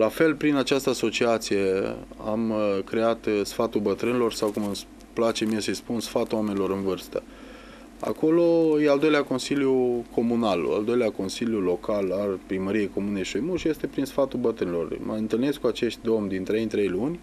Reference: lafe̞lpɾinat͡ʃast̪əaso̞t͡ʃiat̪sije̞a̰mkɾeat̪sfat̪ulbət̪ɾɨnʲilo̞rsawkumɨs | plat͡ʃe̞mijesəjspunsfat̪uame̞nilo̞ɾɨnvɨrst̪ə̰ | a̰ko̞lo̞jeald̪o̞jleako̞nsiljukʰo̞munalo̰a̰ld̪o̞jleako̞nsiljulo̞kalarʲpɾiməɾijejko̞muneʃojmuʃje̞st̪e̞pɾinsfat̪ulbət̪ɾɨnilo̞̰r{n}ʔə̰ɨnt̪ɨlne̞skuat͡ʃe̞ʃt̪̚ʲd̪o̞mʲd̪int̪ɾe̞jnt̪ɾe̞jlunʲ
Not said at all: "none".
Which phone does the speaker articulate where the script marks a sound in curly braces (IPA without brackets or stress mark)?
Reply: m